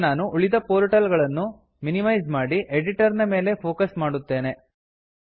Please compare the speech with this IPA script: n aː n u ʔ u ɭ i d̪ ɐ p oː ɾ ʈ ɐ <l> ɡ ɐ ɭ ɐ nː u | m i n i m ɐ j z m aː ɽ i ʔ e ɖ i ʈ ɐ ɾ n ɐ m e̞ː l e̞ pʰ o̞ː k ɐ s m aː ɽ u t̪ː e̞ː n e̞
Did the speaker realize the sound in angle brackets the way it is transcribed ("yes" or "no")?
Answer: yes